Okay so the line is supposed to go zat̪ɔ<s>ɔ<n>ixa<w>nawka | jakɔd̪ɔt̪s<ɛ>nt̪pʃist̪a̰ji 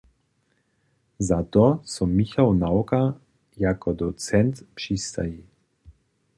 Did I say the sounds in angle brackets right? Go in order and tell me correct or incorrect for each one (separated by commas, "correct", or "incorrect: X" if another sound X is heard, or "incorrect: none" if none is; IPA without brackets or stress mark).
correct, incorrect: m, correct, correct